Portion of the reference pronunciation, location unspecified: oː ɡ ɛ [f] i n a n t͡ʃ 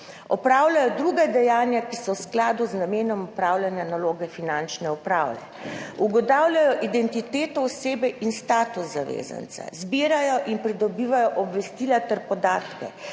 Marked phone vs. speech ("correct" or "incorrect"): correct